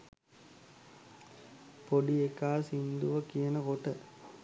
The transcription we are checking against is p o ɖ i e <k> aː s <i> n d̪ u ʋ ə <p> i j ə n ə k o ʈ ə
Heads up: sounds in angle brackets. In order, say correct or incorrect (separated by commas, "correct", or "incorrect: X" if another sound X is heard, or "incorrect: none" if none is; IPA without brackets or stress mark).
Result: correct, correct, incorrect: k